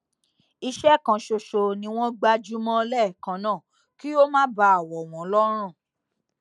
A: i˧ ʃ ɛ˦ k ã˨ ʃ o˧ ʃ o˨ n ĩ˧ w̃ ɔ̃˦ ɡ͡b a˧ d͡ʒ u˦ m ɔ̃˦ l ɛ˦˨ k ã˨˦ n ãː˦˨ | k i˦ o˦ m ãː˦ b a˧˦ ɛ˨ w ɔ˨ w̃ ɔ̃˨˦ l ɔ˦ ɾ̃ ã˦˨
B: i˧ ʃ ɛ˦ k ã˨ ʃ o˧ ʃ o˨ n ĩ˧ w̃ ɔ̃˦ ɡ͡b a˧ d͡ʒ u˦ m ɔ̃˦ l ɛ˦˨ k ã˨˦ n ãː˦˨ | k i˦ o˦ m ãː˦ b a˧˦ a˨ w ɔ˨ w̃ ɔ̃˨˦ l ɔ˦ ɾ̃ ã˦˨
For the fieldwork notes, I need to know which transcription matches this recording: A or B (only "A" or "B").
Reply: B